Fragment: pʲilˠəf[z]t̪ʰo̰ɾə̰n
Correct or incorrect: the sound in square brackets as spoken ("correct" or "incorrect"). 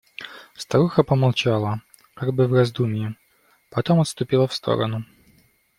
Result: incorrect